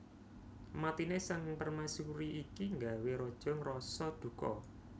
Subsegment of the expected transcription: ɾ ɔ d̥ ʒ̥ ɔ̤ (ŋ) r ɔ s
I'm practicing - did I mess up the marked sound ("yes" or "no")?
no